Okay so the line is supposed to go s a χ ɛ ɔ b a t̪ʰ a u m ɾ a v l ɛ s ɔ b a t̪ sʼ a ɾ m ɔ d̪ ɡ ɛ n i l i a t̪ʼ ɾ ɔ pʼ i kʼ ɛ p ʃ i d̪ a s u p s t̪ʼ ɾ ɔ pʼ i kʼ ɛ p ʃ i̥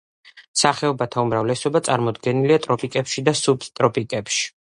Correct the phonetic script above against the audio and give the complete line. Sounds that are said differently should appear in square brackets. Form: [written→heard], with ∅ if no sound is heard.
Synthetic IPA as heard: s a χ ɛ ɔ b a t̪ʰ a u m ɾ a v l ɛ s ɔ b a t̪ sʼ a ɾ m ɔ d̪ ɡ ɛ n i l i a t̪ʼ ɾ ɔ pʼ i kʼ ɛ p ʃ i d̪ a s u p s t̪ʼ ɾ ɔ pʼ i kʼ ɛ p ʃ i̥